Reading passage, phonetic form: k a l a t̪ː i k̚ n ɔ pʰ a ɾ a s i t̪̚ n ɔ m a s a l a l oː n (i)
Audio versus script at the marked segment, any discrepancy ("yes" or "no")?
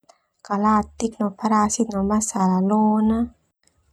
yes